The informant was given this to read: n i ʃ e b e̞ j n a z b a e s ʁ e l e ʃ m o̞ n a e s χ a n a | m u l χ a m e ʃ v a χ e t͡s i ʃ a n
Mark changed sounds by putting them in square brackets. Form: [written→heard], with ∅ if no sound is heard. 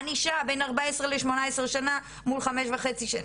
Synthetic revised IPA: n i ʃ [e→a] b e̞ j n a [z→ʁ] b a e s ʁ e l e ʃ m o̞ n a e s [χ→ʃ] a n a | m u l χ a m e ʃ v a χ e t͡s i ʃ a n